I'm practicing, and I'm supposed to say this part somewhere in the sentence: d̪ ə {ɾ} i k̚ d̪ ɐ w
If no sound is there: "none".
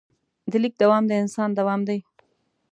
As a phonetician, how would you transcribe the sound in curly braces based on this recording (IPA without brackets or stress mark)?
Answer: l